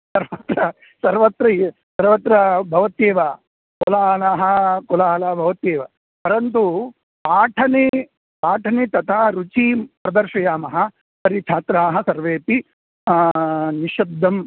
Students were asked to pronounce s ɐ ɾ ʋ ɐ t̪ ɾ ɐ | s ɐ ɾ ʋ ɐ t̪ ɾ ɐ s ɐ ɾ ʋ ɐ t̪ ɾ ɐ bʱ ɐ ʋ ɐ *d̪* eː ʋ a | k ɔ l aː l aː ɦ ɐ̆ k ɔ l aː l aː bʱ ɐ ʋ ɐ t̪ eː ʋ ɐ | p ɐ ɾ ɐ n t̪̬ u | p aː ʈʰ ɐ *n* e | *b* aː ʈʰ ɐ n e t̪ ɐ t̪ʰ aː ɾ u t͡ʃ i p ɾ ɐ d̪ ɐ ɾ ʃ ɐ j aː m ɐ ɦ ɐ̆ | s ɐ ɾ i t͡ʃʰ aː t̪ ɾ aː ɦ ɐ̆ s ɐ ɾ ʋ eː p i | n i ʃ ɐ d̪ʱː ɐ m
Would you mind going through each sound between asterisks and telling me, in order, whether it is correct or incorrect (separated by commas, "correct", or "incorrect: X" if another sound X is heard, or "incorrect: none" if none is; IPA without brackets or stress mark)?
incorrect: t̪, correct, incorrect: p